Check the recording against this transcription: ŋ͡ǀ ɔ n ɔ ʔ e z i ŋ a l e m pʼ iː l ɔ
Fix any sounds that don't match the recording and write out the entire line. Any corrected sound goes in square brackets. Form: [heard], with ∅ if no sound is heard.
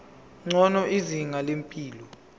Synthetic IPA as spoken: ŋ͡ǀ ɔ n ɔ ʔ [i] z i ŋ a l e m pʼ iː l ɔ

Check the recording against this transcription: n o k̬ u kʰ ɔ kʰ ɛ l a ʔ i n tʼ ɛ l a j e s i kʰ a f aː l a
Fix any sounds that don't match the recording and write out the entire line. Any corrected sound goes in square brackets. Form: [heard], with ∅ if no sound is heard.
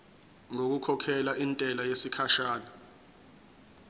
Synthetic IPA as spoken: [ŋ] o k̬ u kʰ ɔ kʰ ɛ l a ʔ i n tʼ ɛ l a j e s i kʰ a [ʃ] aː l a

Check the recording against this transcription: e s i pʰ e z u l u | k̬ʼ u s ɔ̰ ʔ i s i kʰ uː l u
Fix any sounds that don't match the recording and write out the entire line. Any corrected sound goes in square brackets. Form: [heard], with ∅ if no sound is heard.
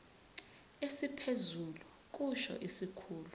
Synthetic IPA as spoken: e s i pʰ e z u l u | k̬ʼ u [ʃ] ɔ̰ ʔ i s i kʰ uː l u

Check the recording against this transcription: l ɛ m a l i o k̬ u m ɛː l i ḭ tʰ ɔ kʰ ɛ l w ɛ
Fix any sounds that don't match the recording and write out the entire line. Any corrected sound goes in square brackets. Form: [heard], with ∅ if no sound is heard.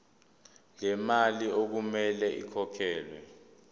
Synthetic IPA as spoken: l ɛ m a l i o k̬ u m [ɛ] l [ɛ] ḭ [kʰ] ɔ kʰ [ɛː] l w ɛ

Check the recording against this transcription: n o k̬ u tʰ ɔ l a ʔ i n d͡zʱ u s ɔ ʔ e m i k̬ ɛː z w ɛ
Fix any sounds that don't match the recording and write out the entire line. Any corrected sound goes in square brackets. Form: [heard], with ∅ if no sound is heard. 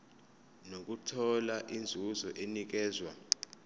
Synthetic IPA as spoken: n o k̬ u tʰ ɔ l a ʔ i n d͡zʱ u [z] ɔ ʔ e [n] i k̬ ɛː z w [a]

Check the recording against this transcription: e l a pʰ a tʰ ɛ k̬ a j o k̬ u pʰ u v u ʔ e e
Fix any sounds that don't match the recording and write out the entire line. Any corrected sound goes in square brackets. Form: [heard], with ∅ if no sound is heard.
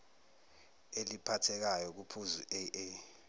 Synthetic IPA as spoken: e l [i] pʰ a tʰ ɛ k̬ a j [ɔ] k̬ u pʰ u [z] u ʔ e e

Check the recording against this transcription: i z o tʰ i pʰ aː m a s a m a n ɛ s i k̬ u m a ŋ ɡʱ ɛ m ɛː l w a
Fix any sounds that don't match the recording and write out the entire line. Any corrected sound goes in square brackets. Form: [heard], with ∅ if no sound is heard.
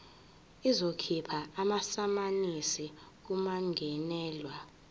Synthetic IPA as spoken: i z o [kʰ] i pʰ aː m a s a m a n [i] s i k̬ u m a ŋ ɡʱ ɛ [n] ɛː l w a

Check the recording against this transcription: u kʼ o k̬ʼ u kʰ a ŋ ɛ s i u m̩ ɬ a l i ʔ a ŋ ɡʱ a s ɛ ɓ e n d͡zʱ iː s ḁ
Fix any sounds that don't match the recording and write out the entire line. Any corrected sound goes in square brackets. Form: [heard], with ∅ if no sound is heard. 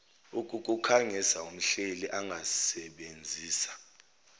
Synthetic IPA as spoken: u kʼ [u] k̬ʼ u kʰ a ŋ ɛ s [a] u m̩ ɬ [e] l i ʔ a ŋ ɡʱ a s ɛ ɓ e n d͡zʱ iː s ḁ

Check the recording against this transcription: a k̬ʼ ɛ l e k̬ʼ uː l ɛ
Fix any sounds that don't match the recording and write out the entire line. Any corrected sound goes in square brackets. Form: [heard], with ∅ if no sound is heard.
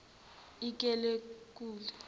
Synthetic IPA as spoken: [i] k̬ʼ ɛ l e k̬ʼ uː l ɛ

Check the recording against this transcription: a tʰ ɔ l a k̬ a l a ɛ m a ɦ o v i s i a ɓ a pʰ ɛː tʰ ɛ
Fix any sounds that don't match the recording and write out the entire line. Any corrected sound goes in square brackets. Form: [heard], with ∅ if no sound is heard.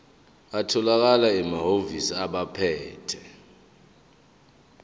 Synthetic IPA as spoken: a tʰ ɔ l a k̬ a l a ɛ m a ɦ o v i s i a ɓ a pʰ ɛː tʰ ɛ

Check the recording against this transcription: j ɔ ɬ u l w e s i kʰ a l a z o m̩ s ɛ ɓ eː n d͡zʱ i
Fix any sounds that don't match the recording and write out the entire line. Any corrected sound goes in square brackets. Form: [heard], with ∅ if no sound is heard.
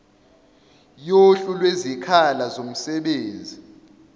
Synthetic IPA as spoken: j [o] ɬ u l w e [z] i kʰ a l a z o m̩ s ɛ ɓ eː n d͡zʱ i

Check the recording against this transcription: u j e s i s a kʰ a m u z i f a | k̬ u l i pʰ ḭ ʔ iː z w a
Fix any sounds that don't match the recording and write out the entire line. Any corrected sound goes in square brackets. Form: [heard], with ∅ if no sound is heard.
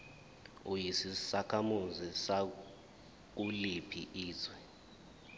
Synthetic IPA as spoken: u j [i] s i s a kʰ a m u z i [s] a | k̬ u l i pʰ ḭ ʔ iː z w [ɛ]

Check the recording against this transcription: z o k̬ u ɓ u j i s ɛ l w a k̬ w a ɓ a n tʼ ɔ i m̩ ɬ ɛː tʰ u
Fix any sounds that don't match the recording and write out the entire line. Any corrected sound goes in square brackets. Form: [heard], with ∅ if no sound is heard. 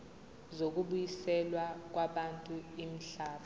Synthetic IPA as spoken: z o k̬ u ɓ u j i s ɛ l w a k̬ w a ɓ a n tʼ [u] i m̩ ɬ [aː] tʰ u

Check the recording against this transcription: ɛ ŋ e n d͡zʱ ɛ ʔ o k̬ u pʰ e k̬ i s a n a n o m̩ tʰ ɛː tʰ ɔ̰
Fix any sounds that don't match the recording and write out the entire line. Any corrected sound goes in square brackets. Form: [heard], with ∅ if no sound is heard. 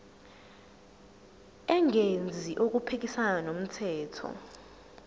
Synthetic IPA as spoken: ɛ ŋ e n d͡zʱ [i] ʔ o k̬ u pʰ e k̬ i s a n a n o m̩ tʰ ɛː tʰ ɔ̰

